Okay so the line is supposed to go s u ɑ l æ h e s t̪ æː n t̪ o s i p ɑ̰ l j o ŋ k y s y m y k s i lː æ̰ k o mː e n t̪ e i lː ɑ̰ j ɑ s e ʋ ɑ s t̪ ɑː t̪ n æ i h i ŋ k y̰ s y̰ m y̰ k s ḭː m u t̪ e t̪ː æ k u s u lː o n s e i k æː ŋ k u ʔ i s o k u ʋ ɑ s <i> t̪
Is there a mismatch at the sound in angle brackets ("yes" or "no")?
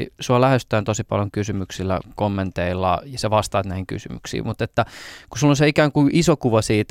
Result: yes